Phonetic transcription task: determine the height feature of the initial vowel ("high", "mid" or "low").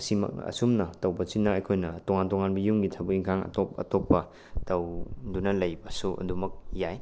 high